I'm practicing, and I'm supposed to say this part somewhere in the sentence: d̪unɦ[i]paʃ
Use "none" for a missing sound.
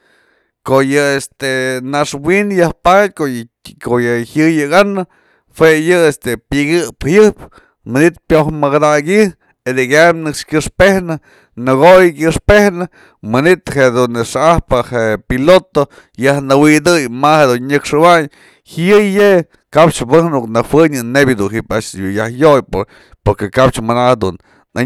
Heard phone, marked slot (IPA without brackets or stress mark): i